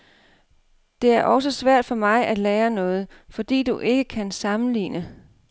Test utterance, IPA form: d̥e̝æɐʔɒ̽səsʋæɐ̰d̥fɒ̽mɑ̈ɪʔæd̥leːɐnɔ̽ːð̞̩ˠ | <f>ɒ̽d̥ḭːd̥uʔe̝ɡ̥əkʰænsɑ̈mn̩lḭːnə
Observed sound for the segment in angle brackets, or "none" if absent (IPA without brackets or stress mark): f